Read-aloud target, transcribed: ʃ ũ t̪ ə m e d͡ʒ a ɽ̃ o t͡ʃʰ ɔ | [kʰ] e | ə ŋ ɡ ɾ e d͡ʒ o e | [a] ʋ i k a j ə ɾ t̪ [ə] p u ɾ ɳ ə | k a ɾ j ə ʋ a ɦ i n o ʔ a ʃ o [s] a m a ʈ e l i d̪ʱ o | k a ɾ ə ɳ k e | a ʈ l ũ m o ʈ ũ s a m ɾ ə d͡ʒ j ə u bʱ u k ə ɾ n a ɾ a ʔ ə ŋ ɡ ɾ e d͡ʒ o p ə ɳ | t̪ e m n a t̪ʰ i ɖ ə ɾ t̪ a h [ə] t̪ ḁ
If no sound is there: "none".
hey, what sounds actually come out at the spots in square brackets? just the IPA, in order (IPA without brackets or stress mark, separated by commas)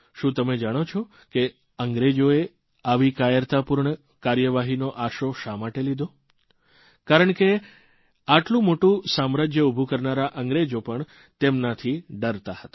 k, a, a, ʃ, ə